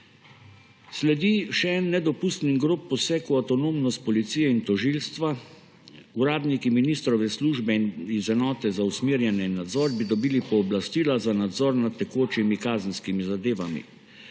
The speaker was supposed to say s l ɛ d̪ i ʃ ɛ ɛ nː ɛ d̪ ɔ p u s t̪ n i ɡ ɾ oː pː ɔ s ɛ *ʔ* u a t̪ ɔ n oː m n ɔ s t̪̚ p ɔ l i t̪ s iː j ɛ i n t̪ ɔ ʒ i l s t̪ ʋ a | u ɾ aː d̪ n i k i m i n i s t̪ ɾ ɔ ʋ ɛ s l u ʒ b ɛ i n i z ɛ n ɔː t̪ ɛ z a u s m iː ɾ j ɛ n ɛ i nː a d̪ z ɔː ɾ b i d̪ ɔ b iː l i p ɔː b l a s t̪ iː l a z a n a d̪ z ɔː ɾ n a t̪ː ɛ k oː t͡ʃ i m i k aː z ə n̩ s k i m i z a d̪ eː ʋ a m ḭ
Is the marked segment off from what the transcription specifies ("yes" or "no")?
yes